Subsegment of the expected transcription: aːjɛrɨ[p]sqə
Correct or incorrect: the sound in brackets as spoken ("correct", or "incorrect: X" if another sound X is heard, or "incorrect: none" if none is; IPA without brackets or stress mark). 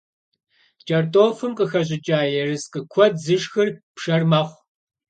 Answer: incorrect: none